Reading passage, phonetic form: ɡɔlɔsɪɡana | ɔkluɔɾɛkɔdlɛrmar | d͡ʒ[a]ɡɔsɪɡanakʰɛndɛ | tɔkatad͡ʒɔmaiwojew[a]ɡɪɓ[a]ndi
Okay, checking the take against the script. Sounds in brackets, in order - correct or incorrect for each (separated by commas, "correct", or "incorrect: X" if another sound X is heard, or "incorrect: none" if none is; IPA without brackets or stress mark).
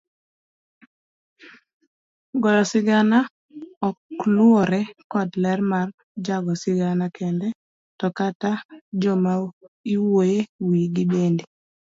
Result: correct, incorrect: i, incorrect: e